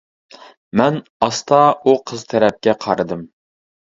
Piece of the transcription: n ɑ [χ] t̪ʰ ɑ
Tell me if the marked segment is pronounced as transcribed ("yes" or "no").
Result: no